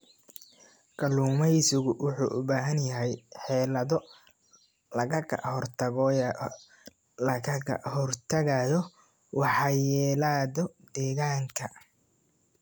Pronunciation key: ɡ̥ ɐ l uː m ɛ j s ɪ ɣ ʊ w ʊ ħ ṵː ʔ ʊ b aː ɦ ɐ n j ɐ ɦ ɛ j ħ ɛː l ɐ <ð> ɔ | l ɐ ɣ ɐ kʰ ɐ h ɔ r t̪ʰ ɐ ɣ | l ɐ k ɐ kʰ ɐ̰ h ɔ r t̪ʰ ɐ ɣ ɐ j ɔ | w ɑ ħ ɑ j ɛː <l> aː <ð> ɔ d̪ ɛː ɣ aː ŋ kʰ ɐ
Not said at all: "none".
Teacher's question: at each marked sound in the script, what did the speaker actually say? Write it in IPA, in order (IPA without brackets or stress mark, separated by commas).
ð, l, ð